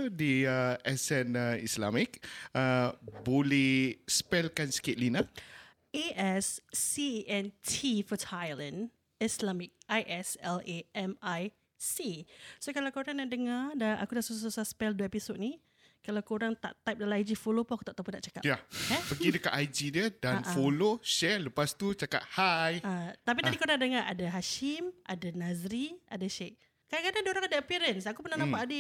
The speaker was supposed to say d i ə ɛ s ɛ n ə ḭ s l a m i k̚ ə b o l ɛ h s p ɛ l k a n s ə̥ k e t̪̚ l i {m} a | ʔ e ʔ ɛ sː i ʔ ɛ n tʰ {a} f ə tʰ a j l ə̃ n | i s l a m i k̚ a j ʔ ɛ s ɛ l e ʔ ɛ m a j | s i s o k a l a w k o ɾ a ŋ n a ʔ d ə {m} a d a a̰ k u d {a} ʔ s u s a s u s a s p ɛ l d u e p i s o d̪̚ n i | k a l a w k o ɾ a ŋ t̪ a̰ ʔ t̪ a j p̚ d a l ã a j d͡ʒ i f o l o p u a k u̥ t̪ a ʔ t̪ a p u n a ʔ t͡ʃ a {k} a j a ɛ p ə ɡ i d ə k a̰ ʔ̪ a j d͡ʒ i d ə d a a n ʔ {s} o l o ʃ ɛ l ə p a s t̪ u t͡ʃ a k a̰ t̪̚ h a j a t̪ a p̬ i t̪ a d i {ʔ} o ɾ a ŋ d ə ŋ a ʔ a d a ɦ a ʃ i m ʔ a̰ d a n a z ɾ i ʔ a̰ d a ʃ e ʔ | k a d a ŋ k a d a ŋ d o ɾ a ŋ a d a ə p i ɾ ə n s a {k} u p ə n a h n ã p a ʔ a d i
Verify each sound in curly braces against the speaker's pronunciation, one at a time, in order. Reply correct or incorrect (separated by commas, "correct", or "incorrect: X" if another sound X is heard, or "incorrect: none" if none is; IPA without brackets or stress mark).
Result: incorrect: n, incorrect: i, incorrect: ŋ, correct, correct, incorrect: f, incorrect: k, correct